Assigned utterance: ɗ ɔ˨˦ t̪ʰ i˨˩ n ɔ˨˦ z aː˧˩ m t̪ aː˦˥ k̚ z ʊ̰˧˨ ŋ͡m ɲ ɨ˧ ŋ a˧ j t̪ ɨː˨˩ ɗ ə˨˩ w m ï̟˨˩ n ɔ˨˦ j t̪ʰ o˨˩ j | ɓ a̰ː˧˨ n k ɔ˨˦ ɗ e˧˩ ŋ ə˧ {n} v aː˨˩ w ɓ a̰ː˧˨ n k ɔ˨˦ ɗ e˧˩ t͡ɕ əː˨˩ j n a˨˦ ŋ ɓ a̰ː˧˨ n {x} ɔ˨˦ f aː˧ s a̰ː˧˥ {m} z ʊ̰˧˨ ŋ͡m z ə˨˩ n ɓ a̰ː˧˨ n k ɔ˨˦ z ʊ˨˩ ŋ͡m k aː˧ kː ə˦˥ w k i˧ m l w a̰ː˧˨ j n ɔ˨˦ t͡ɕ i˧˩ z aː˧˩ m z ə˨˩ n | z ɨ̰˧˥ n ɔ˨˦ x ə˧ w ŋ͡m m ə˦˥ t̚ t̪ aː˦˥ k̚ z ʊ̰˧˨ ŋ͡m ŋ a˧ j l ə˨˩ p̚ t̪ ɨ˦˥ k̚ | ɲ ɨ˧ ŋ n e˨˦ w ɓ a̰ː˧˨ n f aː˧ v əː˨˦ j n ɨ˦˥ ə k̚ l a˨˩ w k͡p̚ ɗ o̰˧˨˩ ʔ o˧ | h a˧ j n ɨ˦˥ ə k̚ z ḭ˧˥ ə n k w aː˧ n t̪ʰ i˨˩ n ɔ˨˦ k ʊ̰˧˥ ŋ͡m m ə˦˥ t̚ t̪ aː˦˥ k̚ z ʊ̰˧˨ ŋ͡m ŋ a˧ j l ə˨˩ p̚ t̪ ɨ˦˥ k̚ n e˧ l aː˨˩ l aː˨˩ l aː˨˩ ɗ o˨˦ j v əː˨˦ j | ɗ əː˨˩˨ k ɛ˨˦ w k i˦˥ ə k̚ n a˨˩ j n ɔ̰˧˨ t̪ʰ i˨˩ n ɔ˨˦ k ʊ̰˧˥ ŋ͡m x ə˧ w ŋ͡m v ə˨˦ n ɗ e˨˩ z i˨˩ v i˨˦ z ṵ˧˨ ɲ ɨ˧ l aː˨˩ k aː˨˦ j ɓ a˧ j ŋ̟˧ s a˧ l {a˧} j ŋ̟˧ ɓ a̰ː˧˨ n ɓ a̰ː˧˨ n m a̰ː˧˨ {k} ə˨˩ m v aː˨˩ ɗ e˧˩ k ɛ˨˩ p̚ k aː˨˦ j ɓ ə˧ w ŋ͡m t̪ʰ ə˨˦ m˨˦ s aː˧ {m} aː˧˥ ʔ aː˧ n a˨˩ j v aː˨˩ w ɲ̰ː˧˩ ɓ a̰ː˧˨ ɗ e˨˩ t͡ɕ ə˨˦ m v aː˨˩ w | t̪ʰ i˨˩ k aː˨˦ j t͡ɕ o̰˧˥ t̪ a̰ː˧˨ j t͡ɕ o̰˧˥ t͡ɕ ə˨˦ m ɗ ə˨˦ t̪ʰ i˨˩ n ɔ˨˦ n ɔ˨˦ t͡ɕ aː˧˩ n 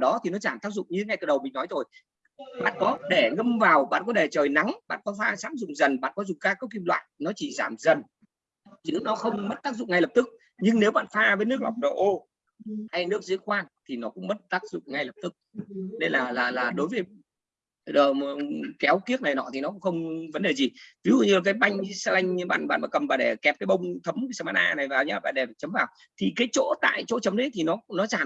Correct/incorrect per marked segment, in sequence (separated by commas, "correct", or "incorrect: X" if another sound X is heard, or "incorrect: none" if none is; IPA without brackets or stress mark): incorrect: m, incorrect: k, correct, correct, correct, correct